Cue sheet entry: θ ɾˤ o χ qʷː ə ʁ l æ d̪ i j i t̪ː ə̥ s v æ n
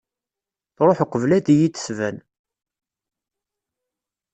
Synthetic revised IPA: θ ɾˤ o ħ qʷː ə v l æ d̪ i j i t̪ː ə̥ s v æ n